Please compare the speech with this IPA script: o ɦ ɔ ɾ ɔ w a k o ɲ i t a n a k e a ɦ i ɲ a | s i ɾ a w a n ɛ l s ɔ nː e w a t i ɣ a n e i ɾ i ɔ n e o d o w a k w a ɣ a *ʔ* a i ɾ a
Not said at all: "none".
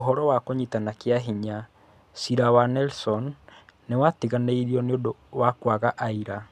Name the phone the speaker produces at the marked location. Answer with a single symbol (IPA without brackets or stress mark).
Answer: ʔ